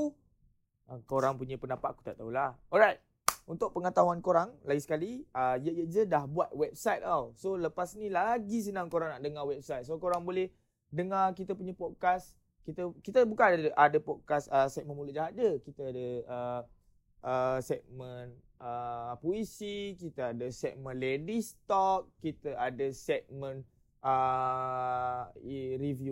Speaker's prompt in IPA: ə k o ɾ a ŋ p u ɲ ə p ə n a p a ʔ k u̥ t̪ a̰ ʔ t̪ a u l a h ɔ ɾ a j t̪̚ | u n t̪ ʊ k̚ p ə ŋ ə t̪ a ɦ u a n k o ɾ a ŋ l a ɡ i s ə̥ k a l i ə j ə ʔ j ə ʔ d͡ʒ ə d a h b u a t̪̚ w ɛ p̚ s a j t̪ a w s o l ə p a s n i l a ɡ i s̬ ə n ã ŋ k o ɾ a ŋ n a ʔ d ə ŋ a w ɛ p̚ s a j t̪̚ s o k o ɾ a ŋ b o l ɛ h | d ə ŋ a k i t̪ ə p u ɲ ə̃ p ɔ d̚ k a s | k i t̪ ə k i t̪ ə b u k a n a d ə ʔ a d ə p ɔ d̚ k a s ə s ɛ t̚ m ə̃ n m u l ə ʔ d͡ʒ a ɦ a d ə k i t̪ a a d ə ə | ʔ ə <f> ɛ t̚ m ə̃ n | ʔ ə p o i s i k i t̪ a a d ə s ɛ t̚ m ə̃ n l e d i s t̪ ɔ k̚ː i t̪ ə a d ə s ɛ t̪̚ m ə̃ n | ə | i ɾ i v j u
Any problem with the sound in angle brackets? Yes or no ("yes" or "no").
yes